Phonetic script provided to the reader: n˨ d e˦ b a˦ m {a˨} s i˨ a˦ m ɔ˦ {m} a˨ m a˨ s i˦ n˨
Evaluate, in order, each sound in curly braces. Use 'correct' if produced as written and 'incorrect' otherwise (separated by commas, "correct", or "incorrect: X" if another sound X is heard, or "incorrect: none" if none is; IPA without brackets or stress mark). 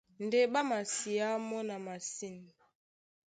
correct, incorrect: n